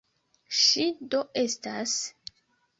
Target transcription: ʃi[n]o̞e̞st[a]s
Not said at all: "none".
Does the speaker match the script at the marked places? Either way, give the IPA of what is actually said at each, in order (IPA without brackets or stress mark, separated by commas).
d, a